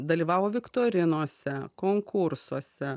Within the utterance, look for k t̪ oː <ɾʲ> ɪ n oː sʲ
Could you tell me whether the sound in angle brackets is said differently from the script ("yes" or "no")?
no